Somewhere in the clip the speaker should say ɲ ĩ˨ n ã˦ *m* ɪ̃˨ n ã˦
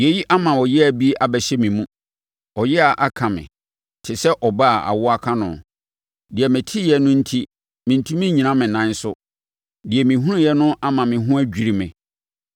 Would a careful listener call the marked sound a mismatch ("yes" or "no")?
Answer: no